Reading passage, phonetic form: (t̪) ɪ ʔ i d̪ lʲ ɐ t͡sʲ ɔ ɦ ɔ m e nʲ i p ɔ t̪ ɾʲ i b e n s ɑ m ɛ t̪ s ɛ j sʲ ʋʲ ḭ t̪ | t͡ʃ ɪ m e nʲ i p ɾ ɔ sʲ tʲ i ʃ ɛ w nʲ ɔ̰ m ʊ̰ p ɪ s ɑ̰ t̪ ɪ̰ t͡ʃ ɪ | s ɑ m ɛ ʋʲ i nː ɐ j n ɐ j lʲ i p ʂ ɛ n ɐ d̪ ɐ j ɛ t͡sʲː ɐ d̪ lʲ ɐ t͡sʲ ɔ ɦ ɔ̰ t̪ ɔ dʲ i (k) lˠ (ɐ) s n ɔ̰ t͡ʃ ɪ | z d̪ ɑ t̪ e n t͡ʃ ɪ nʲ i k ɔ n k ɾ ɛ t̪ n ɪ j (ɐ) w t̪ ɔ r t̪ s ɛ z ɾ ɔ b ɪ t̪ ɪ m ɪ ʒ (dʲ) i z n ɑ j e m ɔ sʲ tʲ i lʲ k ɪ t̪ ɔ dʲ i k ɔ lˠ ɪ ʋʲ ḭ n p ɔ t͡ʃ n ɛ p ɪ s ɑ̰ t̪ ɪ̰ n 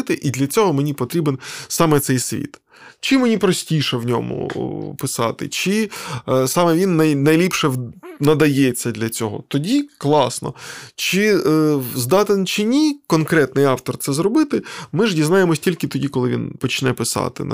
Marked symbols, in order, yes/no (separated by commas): yes, yes, no, no, yes